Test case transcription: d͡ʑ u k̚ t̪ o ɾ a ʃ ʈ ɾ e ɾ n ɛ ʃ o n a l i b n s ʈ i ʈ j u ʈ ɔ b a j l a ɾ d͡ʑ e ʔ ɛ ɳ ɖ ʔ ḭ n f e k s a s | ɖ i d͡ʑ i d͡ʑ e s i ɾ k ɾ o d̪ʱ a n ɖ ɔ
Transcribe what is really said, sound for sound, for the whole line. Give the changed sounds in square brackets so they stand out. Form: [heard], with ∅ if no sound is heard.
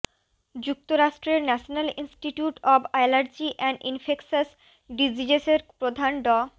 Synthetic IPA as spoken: d͡ʑ u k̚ t̪ o ɾ a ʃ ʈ ɾ e ɾ n ɛ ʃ o n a l i [∅] n s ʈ i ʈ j u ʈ ɔ b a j l a ɾ d͡ʑ [i] ʔ ɛ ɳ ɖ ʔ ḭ n f e k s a s | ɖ i d͡ʑ i d͡ʑ e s [e] ɾ [p] ɾ o d̪ʱ a n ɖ ɔ